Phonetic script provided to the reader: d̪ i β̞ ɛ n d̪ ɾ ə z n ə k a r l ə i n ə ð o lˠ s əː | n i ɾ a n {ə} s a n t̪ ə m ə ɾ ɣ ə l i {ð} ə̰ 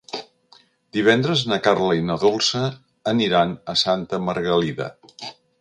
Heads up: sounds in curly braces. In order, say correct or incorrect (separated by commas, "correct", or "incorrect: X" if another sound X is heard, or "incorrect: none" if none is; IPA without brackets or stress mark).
correct, correct